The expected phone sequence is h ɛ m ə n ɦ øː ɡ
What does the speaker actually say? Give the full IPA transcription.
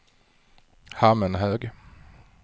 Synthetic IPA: h a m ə n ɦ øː ɡ

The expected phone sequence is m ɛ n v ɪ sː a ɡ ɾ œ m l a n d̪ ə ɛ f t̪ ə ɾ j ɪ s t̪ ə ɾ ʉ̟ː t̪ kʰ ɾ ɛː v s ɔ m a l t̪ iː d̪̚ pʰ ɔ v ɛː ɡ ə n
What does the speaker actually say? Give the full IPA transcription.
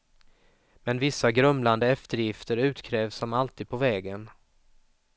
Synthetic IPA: m ɛ n v ɪ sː a ɡ ɾ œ m l a n d̪ ə ɛ f t̪ ə ɾ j ɪ f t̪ ə ɾ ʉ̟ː t̪ kʰ ɾ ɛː v s ɔ m a l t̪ iː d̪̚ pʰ ɔ v ɛː ɡ ə n

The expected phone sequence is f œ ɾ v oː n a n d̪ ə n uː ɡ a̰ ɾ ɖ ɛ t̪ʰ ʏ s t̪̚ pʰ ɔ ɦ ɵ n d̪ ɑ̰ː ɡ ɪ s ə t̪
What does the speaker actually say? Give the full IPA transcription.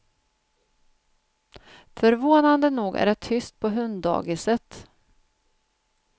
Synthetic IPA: f œ ɾ v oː n a n d̪ ə n uː ɡ æ̰ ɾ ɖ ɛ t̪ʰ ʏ s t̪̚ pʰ ɔ ɦ ɵ n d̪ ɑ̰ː ɡ ɪ s ə t̪

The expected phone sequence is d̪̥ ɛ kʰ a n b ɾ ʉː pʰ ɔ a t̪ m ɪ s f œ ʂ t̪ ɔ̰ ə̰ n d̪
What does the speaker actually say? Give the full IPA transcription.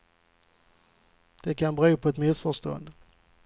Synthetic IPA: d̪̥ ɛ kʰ a n b ɾ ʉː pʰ ɔ ɛ t̪ m ɪ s f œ ʂ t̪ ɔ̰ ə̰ n d̪

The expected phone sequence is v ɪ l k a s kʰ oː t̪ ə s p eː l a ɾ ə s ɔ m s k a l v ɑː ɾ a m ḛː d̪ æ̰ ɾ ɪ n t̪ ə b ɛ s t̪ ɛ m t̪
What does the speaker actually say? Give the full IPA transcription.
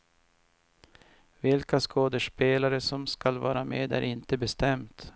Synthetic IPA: v ɪ l k a s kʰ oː d̪ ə ʂ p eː l a ɾ ə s ɔ m s k a l v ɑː ɾ a m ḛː d̪ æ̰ ɾ ɪ n t̪ ə b ɛ s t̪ ɛ m t̪

